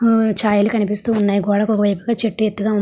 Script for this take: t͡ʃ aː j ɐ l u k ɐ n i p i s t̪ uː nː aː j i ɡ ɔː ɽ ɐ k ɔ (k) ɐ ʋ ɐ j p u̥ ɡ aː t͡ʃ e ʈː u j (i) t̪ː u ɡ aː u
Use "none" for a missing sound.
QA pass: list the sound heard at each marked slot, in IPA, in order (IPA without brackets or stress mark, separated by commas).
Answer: k, e